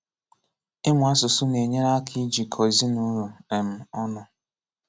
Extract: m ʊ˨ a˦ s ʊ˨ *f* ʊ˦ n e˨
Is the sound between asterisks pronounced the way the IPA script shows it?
no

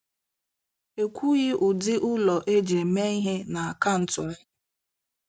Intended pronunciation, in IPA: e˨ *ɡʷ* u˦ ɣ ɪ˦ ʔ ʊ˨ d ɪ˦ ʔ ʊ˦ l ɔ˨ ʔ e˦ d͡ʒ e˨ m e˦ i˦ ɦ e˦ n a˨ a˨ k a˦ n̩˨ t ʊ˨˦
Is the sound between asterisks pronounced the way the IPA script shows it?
no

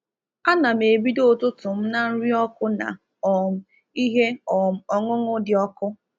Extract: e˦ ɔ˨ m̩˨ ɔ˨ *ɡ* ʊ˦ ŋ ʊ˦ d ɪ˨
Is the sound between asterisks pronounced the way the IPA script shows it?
no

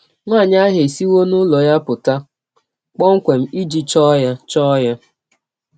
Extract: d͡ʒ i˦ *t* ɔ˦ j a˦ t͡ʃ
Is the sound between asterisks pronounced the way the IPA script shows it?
no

